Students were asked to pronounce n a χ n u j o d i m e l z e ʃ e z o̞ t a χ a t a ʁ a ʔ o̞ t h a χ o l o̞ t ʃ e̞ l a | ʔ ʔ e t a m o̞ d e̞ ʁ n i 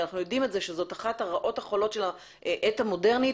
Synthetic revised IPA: n a χ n u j o d i m e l z e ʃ e z o̞ t a χ a t a ʁ a ʔ o̞ t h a χ o l o̞ t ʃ e̞ l a | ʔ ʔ e t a m o̞ d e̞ ʁ n i